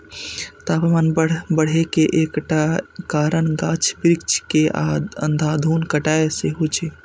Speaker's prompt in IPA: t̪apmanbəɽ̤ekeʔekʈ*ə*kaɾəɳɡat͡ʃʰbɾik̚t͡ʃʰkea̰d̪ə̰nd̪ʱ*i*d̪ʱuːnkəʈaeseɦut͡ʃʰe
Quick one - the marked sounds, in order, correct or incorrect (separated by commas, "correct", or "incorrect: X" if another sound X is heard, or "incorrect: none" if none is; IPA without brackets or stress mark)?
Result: incorrect: a, incorrect: a